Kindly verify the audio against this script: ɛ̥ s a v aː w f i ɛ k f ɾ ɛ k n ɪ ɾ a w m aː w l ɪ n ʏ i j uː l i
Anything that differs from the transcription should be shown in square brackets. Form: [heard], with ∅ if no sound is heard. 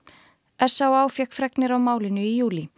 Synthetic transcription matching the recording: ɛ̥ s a [w] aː w f [j] ɛ k f ɾ ɛ k n ɪ ɾ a w m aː w l ɪ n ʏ i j uː l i